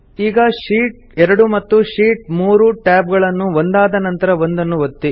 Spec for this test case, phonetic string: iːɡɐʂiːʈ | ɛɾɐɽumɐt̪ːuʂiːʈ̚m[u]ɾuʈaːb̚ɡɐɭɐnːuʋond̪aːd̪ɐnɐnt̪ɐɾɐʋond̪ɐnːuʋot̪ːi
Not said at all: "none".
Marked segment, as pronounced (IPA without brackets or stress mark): uː